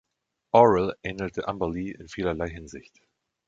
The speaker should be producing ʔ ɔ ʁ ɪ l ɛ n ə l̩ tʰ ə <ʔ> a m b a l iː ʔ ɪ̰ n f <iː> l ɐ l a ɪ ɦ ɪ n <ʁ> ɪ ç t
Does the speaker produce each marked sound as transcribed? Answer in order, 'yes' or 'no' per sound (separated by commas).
yes, yes, no